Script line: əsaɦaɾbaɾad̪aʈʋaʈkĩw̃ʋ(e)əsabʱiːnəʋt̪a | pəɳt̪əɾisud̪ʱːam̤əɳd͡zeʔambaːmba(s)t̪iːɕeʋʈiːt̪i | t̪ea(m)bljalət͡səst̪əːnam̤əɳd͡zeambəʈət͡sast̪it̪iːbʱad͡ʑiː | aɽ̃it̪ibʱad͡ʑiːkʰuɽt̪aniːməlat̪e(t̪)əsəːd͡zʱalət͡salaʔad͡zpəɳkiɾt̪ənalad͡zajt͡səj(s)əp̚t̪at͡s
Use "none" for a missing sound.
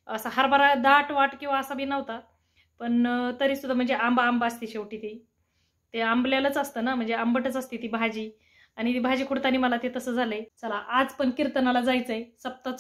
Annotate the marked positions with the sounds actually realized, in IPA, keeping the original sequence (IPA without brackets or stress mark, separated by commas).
a, s, m, t̪, s